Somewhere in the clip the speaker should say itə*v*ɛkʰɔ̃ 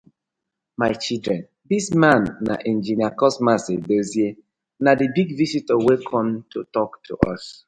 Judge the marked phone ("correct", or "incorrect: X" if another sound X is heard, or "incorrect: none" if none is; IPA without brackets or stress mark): incorrect: w